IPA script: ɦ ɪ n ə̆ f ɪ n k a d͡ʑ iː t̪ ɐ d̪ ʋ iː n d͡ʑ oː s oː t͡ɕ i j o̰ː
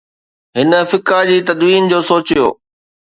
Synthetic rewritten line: ɦ ɪ n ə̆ f ɪ k a d͡ʑ iː t̪ ɐ d̪ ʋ iː n d͡ʑ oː s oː t͡ɕ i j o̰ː

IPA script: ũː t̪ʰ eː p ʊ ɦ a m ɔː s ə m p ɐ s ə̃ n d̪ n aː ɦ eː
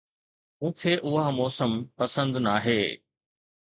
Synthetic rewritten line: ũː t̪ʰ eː ʔ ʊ ɦ a m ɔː s ə m p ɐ s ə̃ n d̪ n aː ɦ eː

